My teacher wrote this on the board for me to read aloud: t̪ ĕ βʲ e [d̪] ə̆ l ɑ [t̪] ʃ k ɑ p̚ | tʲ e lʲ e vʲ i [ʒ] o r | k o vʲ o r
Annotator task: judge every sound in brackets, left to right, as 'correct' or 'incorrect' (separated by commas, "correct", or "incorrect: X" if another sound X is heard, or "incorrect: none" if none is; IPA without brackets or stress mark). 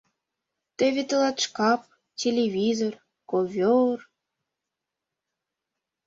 incorrect: t̪, correct, incorrect: z